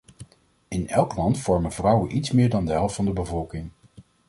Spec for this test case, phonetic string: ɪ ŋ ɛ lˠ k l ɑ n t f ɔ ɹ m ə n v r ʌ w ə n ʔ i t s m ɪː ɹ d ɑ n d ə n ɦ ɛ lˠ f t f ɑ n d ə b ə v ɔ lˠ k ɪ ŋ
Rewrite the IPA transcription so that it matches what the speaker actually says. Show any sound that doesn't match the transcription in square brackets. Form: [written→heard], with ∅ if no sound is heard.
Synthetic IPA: ɪ [ŋ→n] ɛ lˠ k l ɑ n t f ɔ ɹ m ə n v r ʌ w ə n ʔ i t s m ɪː ɹ d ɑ n d ə [n→∅] ɦ ɛ lˠ f t f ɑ n d ə b ə v ɔ lˠ k ɪ ŋ